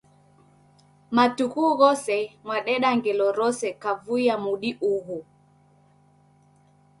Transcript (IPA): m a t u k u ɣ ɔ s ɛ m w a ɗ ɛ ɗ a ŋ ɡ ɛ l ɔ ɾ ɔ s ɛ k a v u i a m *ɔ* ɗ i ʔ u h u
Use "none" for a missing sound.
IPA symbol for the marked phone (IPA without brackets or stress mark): u